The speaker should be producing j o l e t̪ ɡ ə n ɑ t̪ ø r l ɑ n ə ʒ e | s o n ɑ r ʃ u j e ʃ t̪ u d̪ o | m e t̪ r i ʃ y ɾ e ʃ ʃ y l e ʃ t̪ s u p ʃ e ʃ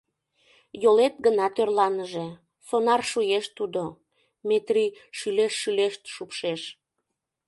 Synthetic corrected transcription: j o l e t̪ ɡ ə n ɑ t̪ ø r l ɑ n ə ʒ e | s o n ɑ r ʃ u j e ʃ t̪ u d̪ o | m e t̪ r i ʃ y l e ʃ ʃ y l e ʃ t̪ ʃ u p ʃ e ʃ